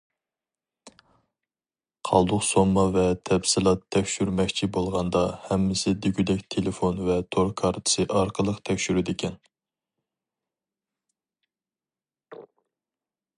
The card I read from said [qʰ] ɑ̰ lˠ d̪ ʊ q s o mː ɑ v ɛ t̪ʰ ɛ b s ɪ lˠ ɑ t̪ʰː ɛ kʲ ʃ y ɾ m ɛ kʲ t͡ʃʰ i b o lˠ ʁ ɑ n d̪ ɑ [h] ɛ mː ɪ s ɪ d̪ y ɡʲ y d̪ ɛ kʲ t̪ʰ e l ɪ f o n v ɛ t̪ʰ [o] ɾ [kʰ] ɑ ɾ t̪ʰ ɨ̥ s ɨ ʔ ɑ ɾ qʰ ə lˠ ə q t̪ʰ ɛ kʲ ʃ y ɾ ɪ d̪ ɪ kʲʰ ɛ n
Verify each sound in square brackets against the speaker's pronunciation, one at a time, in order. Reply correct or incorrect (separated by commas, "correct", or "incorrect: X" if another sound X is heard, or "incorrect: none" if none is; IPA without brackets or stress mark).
correct, correct, correct, correct